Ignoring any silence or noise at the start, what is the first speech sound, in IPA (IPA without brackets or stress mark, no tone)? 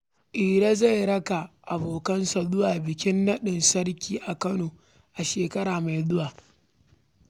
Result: ʔ